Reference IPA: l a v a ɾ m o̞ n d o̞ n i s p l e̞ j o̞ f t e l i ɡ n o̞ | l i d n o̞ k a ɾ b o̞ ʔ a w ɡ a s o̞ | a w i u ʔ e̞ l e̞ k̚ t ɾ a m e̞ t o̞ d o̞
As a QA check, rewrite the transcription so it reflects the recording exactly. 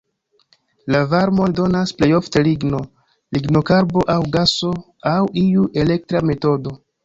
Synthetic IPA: l a v a ɾ m o̞ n d o̞ n a s p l e̞ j o̞ f t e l i ɡ n o̞ | l i ɡ n o̞ k a ɾ b o̞ ʔ a w ɡ a s o̞ | a w i u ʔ e̞ l e̞ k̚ t ɾ a m e̞ t o̞ d o̞